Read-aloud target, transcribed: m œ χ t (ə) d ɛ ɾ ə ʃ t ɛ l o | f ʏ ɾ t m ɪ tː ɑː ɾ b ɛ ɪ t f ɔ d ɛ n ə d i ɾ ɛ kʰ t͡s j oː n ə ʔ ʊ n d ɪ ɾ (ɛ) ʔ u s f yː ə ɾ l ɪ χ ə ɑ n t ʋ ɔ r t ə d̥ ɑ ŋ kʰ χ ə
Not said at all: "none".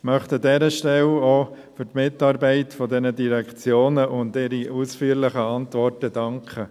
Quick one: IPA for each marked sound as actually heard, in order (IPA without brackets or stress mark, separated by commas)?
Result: ə, i